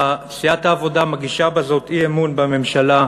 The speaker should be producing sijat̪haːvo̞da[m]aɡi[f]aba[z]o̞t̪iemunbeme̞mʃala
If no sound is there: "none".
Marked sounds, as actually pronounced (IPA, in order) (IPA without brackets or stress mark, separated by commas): m, ʃ, z